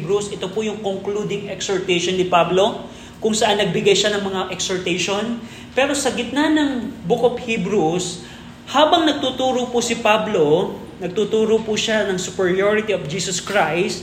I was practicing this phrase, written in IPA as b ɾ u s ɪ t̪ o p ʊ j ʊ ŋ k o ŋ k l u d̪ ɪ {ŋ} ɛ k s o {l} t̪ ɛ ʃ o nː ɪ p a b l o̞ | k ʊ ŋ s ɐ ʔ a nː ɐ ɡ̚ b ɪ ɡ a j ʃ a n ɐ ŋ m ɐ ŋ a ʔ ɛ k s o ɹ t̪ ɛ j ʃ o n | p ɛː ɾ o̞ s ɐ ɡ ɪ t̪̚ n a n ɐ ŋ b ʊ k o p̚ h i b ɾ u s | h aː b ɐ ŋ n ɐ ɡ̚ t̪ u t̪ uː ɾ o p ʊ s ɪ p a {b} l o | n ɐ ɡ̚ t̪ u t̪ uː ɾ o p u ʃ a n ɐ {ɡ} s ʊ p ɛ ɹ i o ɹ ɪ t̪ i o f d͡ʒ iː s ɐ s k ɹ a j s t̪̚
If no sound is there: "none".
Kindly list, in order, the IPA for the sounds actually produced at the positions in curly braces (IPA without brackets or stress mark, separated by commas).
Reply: ŋ, ɹ, b, ŋ